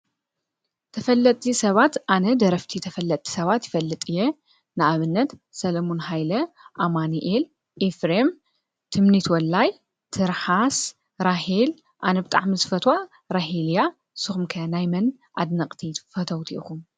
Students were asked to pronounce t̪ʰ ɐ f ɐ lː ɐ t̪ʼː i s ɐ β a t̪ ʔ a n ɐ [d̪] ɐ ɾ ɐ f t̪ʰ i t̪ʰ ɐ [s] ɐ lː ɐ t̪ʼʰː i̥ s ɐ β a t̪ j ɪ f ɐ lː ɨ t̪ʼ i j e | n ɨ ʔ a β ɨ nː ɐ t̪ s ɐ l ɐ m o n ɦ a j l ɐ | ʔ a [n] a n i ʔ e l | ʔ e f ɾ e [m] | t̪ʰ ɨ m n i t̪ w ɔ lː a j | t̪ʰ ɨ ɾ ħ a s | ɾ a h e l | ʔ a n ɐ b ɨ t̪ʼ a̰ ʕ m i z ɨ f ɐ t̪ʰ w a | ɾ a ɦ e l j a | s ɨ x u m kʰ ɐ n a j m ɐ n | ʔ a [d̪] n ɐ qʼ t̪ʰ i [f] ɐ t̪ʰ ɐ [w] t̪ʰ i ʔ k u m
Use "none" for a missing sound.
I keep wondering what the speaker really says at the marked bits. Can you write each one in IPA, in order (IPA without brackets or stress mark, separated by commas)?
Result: d̪, f, m, m, d̪, f, w